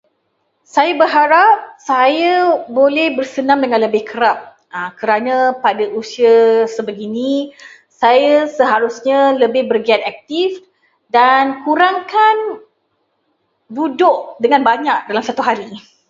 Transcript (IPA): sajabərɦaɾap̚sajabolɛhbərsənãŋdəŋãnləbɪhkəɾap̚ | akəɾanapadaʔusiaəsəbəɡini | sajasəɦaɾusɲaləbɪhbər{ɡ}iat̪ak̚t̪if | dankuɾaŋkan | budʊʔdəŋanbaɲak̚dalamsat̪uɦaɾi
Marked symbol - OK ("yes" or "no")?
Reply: yes